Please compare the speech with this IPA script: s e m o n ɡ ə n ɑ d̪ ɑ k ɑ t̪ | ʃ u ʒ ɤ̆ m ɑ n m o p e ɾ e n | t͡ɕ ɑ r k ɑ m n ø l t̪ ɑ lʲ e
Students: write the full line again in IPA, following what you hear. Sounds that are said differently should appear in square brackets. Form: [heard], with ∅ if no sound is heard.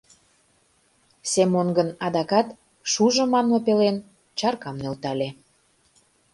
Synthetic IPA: s e m o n ɡ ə n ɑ d̪ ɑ k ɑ t̪ | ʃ u ʒ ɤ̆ m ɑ n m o p e [l] e n | t͡ɕ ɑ r k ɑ m n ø l t̪ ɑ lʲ e